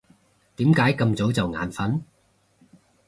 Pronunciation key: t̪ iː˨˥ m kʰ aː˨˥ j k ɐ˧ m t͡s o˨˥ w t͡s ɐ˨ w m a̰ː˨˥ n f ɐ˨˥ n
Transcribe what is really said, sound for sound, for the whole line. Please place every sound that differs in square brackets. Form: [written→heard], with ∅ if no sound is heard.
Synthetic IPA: t̪ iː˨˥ m [kʰ→k] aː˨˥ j k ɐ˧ m t͡s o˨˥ w t͡s ɐ˨ w [m→ŋ] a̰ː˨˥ n f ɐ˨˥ n